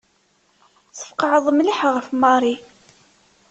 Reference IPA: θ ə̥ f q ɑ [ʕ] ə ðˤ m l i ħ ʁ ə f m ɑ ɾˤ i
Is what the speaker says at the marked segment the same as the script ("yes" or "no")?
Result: yes